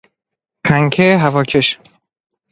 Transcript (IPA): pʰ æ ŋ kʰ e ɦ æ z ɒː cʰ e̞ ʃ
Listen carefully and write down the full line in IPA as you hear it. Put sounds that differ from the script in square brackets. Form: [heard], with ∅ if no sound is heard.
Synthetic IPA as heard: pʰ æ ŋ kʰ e ɦ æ [v] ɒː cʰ e̞ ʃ